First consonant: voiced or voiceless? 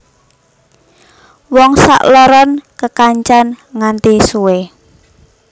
voiced